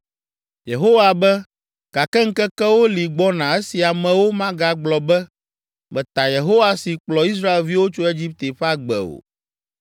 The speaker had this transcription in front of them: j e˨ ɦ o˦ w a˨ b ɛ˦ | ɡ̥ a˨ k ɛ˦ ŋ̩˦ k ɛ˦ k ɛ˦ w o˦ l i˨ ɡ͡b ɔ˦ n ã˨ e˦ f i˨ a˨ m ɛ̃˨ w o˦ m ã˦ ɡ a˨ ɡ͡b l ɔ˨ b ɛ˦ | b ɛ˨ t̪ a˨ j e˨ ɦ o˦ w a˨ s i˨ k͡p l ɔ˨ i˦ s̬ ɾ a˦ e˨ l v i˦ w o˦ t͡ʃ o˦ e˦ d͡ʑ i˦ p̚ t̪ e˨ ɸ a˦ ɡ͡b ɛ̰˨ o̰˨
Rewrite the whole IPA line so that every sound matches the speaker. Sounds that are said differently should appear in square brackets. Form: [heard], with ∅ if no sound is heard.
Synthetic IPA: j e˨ ɦ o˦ w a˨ b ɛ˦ | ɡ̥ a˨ k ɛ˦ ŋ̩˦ k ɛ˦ k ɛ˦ w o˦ l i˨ ɡ͡b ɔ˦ n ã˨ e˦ [s] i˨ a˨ m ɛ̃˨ w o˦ m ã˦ ɡ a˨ ɡ͡b l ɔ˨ b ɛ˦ | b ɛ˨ t̪ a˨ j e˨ ɦ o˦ w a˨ s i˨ k͡p l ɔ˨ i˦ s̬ ɾ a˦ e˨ l v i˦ w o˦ t͡ʃ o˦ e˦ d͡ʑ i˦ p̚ t̪ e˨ ɸ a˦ ɡ͡b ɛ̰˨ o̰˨